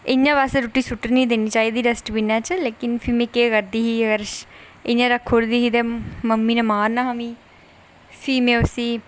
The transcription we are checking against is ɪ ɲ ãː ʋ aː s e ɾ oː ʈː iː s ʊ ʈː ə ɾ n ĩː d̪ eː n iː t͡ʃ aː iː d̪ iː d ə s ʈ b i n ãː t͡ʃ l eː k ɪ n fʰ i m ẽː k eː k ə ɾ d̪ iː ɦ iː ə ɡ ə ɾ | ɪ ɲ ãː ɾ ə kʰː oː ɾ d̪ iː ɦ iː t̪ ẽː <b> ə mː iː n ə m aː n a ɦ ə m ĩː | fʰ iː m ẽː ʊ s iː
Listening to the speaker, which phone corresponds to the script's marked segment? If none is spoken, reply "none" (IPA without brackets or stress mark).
m